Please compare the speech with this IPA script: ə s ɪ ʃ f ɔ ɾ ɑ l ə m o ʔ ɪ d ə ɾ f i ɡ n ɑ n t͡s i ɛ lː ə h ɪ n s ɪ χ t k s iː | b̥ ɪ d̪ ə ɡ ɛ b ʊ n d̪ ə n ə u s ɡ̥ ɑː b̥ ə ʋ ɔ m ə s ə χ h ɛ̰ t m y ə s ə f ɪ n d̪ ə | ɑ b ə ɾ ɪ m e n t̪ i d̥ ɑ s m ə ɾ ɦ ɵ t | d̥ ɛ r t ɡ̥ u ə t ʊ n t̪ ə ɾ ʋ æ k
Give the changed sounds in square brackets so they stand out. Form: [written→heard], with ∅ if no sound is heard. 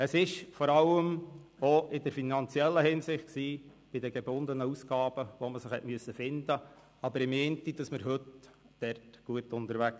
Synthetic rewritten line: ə s ɪ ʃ f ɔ ɾ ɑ l ə m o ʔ ɪ d ə ɾ f i [ɡ→∅] n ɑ n t͡s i ɛ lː ə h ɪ n s ɪ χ t k s iː | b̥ ɪ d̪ ə ɡ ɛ b ʊ n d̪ ə n ə u s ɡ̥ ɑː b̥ ə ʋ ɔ m ə s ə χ h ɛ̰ t m y ə s ə f ɪ n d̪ ə | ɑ b ə ɾ ɪ m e n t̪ i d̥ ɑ s m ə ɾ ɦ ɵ t | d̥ ɛ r t ɡ̥ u ə t ʊ n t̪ ə ɾ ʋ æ k